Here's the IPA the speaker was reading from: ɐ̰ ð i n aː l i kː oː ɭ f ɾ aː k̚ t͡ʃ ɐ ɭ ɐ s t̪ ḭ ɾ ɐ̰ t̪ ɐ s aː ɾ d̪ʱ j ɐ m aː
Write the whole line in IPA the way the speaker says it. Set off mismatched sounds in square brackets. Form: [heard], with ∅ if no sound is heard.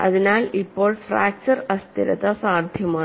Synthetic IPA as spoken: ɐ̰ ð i n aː l i [pː] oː ɭ f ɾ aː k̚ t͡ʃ ɐ [ɾ] ɐ s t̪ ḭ ɾ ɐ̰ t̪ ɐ s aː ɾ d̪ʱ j ɐ m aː